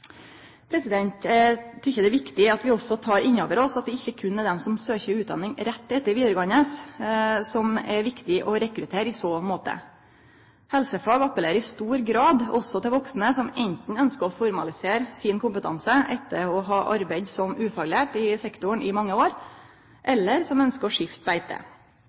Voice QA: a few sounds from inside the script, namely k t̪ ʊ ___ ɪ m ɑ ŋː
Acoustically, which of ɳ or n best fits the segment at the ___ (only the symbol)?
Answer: ɳ